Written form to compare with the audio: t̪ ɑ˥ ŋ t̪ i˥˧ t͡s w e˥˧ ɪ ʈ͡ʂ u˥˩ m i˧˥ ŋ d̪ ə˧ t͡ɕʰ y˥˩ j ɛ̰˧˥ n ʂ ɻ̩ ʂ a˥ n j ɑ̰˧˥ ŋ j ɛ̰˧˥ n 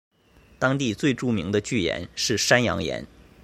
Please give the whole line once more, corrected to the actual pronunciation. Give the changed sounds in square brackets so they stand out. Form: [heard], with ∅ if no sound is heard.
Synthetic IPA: t̪ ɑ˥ ŋ t̪ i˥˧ t͡s w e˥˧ ɪ ʈ͡ʂ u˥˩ m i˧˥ ŋ d̪ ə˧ [t͡ɕ] y˥˩ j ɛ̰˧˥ n ʂ ɻ̩ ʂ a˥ n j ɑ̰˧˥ ŋ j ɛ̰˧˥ n